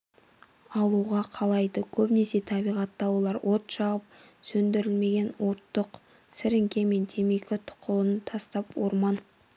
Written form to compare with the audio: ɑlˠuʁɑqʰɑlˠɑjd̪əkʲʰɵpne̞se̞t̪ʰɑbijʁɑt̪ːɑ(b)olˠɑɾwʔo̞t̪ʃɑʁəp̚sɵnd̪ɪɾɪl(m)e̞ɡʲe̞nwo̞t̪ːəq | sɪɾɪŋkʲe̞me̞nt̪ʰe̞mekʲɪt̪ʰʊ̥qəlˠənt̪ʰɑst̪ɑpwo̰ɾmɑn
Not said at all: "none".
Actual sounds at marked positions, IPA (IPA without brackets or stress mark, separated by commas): w, m